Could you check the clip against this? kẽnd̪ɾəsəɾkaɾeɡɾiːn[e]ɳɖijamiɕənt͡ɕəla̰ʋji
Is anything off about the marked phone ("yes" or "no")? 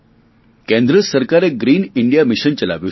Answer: yes